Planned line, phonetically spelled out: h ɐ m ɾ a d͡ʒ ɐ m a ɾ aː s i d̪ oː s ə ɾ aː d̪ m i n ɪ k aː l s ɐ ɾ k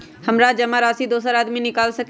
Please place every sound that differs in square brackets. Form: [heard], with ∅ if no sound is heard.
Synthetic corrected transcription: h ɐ m ɾ a d͡ʒ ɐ m a ɾ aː s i d̪ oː s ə ɾ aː d̪ m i n ɪ k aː l s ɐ [∅] k